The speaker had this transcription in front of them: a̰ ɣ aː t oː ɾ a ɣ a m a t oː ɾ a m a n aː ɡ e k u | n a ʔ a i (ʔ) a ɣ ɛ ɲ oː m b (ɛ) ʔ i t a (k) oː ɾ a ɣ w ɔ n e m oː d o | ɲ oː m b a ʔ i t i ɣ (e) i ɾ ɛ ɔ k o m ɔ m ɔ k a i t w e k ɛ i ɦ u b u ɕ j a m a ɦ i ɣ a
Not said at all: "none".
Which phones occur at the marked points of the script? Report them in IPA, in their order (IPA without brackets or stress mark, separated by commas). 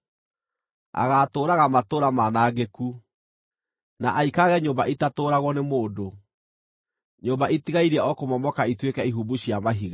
k, a, t, a